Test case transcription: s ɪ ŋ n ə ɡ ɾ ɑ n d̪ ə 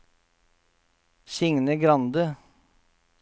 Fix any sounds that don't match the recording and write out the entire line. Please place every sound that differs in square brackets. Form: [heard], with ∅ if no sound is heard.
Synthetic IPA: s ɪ ŋ n ə ɡ ɾ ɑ n d̪ ə

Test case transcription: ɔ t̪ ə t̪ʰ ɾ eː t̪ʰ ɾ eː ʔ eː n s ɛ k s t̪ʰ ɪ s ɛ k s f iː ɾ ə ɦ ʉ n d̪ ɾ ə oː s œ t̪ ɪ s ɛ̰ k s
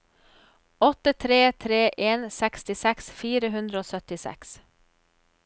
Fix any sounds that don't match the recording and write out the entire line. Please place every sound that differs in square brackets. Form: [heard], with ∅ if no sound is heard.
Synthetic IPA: ɔ t̪ ə t̪ʰ ɾ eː t̪ʰ ɾ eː ʔ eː n s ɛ k s [t̪] ɪ s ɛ k s f iː ɾ ə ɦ ʉ n d̪ ɾ ə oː s œ t̪ ɪ s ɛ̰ k s

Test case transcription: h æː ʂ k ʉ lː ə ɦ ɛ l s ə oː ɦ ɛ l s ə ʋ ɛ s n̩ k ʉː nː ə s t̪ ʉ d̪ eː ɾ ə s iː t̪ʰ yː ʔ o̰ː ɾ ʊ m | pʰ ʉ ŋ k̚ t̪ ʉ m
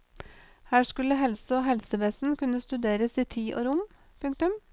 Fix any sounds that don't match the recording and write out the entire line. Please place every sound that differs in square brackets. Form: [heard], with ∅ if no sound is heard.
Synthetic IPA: h æː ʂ k ʉ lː ə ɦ ɛ l s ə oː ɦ ɛ l s ə ʋ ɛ s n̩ k [ʉ] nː ə s t̪ ʉ d̪ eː ɾ ə s iː t̪ʰ [iː] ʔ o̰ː ɾ ʊ m | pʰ ʉ ŋ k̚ t̪ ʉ m

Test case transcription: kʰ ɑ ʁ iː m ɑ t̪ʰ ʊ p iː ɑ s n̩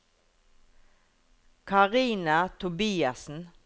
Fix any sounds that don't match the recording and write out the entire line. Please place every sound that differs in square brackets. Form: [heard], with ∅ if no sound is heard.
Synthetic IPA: kʰ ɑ ʁ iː [n] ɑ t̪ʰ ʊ [b] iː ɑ s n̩

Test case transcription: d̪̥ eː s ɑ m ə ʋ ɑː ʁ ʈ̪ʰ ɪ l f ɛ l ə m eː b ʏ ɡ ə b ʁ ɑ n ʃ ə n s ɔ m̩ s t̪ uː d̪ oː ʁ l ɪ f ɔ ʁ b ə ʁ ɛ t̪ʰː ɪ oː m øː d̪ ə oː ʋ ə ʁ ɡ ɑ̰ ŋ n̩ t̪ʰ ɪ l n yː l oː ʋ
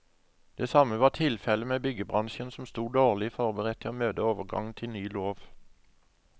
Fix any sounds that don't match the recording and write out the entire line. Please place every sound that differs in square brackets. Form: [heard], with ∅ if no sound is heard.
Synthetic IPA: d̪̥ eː s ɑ m ə ʋ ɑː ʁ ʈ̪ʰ ɪ l f ɛ l ə m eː b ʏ ɡ ə b ʁ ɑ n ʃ ə n s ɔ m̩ s t̪ uː d̪ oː ʁ l ɪ f ɔ ʁ b ə ʁ ɛ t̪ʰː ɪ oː m øː d̪ ə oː ʋ ə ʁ ɡ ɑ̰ ŋ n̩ t̪ʰ ɪ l n yː l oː ʋ

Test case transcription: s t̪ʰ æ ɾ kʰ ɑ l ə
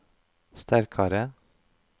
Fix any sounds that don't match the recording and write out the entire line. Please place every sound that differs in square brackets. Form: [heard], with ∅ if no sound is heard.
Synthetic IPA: s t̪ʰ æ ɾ kʰ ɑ [ɾ] ə

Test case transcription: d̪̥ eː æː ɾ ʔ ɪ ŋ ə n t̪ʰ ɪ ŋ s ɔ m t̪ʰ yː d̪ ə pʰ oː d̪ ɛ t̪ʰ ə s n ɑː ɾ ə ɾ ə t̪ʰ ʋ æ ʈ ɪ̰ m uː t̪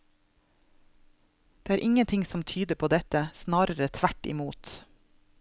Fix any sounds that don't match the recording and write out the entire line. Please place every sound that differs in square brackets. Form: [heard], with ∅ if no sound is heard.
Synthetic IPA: d̪̥ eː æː ɾ ʔ ɪ ŋ ə n t̪ʰ ɪ ŋ s ɔ m t̪ʰ yː d̪ ə pʰ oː d̪ ɛ [t̪] ə s n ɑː ɾ ə ɾ ə t̪ʰ ʋ æ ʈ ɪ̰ m uː t̪

